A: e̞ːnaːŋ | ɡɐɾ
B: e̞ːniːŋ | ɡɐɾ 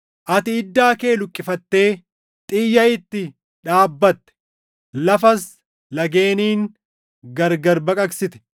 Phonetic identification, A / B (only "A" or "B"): B